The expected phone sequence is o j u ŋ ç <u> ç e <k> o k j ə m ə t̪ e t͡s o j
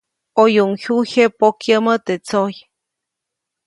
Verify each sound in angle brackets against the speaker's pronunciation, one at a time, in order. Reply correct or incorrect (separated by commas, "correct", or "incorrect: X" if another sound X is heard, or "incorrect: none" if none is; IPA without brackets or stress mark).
correct, incorrect: p